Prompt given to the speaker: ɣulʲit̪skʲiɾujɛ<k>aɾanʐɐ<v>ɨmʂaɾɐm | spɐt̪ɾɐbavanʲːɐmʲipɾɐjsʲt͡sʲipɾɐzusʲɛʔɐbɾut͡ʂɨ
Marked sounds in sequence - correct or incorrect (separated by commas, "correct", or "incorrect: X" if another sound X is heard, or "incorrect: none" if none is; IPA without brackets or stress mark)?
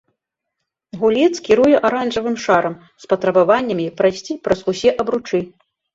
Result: incorrect: ʔ, correct